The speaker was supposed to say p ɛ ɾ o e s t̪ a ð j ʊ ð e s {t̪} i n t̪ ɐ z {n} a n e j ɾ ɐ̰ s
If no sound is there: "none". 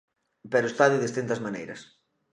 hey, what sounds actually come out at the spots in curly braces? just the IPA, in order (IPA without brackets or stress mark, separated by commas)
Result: t̪, m